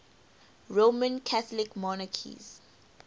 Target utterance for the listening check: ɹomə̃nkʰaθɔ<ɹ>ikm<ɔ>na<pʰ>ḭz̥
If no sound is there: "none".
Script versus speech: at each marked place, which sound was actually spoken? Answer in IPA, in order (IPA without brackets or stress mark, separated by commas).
l, ɔ, kʰ